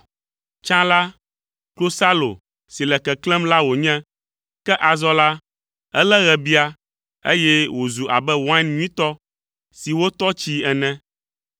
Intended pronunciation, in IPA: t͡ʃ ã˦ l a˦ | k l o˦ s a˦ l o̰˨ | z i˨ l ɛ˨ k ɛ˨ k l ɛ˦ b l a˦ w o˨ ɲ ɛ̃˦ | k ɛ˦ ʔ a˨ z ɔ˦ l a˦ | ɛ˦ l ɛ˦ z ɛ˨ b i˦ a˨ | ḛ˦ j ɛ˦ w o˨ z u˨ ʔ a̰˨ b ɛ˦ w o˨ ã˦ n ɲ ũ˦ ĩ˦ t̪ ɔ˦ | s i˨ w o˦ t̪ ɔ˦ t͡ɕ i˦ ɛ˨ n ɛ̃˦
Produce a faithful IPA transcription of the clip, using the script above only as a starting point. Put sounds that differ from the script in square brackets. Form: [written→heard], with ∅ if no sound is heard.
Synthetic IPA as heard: t͡ʃ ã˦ l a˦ | k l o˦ s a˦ l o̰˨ | [z→s] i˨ l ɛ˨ k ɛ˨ k l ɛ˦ [b→m] l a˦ w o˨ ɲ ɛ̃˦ | k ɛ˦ ʔ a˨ z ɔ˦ l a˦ | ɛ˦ l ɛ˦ [z→ɣ] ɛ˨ b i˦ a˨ | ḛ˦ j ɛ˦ w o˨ z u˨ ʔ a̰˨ b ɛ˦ w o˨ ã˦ n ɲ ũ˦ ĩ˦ t̪ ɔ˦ | s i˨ w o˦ t̪ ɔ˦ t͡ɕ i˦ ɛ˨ n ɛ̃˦